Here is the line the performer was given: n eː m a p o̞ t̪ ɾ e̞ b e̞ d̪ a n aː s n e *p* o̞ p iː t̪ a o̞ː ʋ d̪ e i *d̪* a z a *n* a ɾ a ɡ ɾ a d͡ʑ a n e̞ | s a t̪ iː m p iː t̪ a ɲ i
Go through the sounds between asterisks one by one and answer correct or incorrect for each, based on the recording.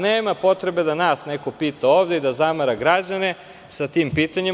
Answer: incorrect: k, correct, incorrect: m

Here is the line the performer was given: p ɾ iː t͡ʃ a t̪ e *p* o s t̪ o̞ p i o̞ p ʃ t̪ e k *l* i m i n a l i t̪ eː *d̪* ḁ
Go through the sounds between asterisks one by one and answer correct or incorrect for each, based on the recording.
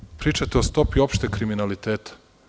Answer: incorrect: none, incorrect: ɾ, incorrect: t̪

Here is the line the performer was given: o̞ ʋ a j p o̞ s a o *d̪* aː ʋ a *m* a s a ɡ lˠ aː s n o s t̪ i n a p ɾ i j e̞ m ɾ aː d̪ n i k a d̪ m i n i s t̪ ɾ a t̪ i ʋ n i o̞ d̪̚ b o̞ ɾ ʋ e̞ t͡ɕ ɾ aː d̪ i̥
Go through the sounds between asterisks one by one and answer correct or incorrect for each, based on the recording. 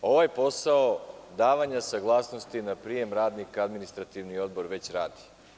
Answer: correct, incorrect: ɲ

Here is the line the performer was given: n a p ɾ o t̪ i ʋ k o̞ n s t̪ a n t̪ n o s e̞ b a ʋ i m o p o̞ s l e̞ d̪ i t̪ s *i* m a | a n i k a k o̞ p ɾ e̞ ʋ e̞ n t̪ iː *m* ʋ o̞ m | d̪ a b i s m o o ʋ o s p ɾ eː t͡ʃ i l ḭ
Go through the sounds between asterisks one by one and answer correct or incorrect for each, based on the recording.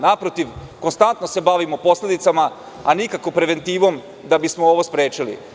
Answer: incorrect: a, incorrect: none

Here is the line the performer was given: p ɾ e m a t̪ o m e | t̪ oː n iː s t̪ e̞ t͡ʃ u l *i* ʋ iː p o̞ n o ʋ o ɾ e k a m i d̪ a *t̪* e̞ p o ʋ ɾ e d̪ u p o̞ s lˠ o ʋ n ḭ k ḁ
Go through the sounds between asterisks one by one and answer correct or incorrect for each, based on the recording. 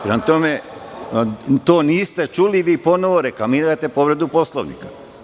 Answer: correct, correct

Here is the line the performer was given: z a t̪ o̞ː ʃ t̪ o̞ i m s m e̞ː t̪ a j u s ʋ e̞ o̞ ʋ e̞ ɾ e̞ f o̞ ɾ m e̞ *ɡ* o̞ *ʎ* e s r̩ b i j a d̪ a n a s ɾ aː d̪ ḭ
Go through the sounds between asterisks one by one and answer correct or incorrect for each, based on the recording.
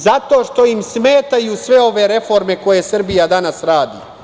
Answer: incorrect: k, incorrect: j

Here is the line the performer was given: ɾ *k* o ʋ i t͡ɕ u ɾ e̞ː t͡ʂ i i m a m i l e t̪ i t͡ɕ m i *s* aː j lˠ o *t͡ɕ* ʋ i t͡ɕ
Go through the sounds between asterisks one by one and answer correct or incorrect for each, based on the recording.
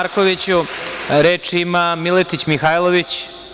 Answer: correct, incorrect: x, incorrect: none

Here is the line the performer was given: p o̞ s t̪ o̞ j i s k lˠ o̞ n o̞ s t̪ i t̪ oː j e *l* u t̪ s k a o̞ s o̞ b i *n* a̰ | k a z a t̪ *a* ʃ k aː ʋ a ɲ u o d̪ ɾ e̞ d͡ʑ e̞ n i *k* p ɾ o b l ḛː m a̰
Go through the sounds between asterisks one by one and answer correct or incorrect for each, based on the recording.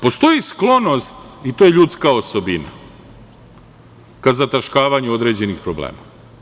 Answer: incorrect: ʎ, correct, correct, incorrect: x

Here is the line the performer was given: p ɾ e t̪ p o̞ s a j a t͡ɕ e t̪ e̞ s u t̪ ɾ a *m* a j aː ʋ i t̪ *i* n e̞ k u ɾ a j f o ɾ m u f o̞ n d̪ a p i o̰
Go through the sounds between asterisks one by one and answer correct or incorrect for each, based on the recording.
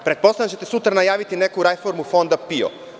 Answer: incorrect: n, correct

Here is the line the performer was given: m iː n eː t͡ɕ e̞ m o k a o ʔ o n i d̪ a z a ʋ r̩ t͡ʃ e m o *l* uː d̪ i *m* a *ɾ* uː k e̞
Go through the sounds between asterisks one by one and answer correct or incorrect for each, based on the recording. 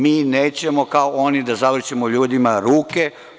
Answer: incorrect: ʎ, correct, correct

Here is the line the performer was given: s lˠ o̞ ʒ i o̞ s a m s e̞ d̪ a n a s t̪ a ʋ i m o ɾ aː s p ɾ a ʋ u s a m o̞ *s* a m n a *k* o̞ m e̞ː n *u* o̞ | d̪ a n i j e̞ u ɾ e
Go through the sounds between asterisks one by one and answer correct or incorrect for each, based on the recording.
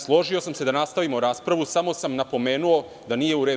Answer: correct, incorrect: p, correct

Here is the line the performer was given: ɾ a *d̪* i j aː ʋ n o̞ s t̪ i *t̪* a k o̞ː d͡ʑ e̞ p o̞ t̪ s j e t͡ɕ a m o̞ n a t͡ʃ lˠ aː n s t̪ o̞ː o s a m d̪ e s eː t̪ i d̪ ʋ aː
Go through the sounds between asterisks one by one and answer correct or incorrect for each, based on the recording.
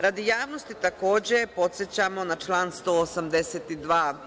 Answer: correct, correct

